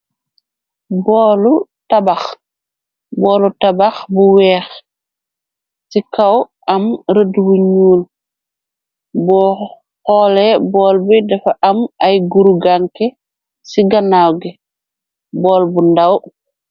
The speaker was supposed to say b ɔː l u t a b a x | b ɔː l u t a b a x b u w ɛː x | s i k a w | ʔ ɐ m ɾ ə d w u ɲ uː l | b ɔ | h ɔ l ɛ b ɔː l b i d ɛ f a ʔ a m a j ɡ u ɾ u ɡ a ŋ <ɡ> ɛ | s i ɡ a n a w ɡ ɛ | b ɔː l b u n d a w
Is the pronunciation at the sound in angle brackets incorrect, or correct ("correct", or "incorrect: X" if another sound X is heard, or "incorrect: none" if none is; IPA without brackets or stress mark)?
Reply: incorrect: k